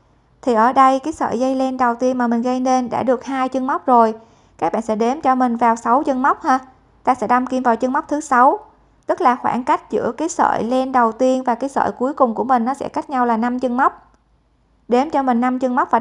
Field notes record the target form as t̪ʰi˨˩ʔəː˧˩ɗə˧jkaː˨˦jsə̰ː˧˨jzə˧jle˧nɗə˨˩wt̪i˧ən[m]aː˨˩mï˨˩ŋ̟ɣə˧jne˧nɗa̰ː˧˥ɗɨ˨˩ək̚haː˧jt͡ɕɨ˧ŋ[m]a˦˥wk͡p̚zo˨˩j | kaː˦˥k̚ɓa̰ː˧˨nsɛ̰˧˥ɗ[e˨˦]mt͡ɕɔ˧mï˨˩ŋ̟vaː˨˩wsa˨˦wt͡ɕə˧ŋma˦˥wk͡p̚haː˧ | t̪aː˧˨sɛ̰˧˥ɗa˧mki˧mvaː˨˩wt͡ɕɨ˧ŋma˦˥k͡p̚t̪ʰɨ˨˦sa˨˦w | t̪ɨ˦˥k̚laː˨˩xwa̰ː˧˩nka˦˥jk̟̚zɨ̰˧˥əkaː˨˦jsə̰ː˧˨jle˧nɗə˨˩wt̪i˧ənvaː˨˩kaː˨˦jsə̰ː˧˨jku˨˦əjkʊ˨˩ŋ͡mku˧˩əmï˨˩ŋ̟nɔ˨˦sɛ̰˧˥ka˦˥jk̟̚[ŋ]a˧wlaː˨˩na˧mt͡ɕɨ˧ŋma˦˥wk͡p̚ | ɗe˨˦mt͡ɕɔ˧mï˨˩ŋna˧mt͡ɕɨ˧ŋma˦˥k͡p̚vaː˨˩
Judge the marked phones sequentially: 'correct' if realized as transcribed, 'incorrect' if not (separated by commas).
correct, correct, correct, incorrect